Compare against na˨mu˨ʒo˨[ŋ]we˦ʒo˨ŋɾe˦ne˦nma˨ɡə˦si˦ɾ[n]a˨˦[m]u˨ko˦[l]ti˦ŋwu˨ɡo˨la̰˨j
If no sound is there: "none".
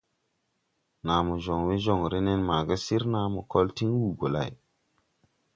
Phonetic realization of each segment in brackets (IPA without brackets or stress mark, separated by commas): ŋ, n, m, l